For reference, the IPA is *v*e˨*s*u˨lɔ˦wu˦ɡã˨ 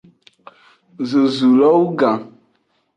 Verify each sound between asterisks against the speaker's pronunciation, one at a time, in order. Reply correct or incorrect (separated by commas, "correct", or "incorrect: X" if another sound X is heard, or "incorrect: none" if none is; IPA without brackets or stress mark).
incorrect: z, incorrect: z